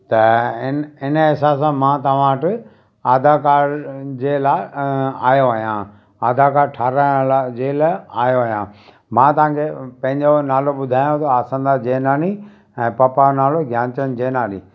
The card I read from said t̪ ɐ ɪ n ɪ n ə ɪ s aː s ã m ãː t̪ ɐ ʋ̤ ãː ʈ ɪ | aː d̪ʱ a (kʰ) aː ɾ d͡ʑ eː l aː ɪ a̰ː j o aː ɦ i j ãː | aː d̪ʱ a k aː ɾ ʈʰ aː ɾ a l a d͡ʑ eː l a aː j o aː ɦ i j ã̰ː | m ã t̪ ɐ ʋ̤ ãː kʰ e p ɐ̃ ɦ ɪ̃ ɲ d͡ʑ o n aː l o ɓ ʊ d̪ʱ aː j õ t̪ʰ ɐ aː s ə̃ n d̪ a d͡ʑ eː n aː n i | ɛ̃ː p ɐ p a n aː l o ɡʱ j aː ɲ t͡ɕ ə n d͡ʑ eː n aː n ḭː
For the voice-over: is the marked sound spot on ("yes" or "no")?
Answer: no